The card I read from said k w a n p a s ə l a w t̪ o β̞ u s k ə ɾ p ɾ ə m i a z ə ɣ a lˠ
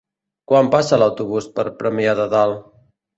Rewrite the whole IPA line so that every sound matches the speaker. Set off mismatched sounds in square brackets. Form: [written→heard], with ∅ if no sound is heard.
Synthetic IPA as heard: k w a [n→m] p a s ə l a w t̪ [o→u] β̞ u s [k→p] ə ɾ p ɾ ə m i a [z→ð] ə [ɣ→ð] a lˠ